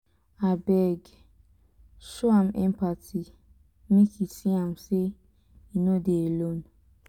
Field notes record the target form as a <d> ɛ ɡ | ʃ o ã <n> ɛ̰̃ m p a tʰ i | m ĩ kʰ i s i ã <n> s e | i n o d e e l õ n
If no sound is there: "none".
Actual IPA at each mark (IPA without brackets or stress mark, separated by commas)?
b, m, m